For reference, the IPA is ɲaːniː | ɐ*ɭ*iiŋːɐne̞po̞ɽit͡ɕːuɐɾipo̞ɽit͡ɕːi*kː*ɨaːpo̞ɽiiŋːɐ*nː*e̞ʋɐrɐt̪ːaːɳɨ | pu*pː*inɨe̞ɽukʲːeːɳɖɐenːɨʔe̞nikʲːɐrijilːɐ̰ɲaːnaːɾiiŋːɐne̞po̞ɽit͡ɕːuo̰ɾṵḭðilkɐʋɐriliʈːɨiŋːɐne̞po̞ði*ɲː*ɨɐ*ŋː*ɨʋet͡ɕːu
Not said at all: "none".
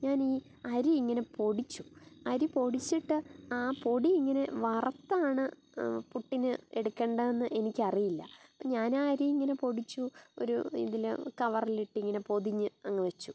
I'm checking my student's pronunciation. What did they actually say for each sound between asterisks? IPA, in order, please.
ɾ, ʈː, n, ʈː, ɲː, ŋː

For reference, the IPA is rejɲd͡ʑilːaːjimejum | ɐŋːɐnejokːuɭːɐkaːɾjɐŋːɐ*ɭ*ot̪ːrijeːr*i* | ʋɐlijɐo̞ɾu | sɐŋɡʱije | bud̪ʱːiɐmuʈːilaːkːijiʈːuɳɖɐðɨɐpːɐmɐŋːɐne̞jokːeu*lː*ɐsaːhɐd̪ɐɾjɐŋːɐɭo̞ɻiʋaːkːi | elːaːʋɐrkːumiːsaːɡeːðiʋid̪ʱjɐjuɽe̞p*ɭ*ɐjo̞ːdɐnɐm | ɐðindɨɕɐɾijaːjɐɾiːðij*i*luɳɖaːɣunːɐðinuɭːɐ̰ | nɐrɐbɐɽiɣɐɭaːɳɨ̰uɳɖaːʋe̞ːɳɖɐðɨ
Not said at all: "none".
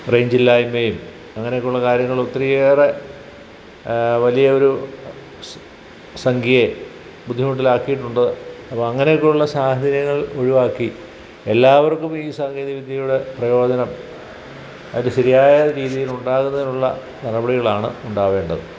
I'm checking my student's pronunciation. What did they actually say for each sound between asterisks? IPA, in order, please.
ɭ, e, ɭː, r, i

